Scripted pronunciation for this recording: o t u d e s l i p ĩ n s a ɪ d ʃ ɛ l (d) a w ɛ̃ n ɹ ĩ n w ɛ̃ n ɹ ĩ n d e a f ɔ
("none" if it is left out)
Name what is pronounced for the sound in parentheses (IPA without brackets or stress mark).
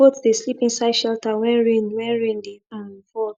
t